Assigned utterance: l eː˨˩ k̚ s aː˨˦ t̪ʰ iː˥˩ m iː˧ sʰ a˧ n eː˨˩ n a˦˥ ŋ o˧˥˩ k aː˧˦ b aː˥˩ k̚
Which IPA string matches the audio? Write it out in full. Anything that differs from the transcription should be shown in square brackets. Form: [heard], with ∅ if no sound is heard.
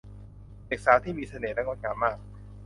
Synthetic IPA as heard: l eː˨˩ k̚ s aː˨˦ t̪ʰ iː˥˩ m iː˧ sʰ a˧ n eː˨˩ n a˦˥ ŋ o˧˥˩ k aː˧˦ [m] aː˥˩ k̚